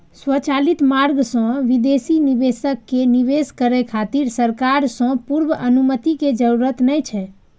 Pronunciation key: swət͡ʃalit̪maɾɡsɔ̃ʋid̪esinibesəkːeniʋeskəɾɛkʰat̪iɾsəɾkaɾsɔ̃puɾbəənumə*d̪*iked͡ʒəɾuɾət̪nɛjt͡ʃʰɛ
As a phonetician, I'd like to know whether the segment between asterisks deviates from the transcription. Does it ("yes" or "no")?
yes